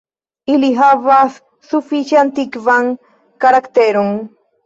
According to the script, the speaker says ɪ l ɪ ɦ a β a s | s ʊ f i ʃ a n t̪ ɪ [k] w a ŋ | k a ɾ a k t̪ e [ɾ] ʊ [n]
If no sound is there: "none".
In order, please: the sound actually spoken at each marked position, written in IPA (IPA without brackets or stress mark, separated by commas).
k, ɾ, ŋ